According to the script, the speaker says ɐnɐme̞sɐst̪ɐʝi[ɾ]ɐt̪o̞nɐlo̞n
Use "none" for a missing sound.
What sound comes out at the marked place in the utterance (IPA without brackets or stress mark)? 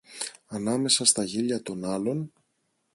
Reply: ʎ